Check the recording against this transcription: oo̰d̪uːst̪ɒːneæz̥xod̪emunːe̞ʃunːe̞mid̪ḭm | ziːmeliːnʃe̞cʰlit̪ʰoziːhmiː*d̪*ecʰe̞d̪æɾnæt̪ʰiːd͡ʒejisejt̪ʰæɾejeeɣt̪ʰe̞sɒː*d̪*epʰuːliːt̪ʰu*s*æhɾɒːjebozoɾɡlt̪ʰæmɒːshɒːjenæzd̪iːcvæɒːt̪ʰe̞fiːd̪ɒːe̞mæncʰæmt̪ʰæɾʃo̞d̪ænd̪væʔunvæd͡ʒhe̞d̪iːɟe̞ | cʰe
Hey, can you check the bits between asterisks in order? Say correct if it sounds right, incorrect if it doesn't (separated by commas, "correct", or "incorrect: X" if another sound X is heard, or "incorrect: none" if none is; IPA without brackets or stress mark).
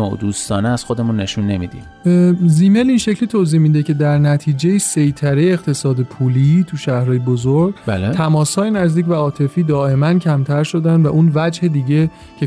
correct, correct, incorrect: ʃ